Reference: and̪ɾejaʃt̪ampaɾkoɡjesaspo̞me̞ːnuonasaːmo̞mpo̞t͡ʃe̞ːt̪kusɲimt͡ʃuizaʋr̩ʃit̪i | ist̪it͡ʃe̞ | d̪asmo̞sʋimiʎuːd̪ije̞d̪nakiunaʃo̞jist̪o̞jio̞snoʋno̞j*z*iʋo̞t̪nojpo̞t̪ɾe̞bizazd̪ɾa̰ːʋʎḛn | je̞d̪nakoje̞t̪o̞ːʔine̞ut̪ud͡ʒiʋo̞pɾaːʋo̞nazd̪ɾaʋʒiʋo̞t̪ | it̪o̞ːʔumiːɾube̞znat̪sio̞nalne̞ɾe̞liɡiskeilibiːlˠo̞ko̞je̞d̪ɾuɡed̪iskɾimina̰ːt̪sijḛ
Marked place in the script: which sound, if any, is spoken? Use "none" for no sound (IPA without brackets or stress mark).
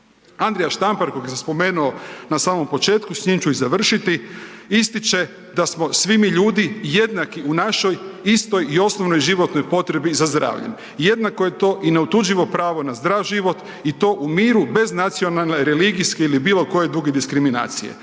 ʒ